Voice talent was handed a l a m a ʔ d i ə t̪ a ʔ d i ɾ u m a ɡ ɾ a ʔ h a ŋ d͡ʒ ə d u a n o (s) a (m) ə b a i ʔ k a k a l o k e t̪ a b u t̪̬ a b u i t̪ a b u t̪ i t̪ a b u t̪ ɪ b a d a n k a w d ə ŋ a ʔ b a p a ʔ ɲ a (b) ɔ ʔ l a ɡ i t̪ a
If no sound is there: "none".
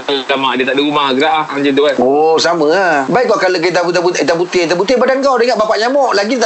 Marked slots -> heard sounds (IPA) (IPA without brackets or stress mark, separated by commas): s, m, m